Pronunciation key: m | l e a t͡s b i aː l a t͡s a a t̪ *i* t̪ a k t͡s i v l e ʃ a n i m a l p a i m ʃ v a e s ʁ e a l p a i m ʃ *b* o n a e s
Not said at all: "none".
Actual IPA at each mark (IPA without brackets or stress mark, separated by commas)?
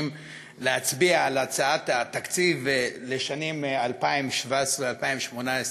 a, m